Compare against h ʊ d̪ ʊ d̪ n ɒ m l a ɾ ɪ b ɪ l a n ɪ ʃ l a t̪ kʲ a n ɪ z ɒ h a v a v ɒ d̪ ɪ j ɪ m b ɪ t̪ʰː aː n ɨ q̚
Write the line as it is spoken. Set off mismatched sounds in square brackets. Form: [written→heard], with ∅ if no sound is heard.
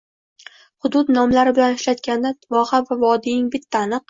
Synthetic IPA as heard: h ʊ d̪ ʊ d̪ n ɒ m l a ɾ ɪ b ɪ l a n ɪ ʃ l a t̪ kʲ a n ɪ [z→v] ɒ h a v a v ɒ d̪ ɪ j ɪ [m→ŋ] b ɪ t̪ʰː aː n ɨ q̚